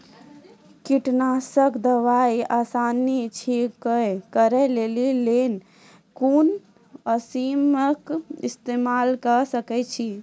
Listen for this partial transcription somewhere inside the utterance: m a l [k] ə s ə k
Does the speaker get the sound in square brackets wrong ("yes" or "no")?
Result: no